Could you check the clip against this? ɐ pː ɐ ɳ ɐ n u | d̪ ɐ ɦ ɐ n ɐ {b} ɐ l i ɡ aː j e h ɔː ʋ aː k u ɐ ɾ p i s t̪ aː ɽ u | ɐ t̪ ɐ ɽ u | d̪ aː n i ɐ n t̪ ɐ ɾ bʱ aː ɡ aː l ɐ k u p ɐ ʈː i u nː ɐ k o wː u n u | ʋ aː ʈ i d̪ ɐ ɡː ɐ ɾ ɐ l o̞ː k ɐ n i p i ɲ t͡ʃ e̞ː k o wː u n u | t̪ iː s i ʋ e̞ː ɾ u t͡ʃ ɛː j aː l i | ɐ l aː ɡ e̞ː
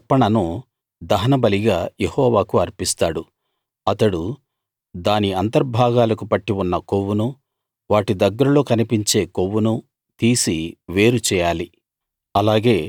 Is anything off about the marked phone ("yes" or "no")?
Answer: no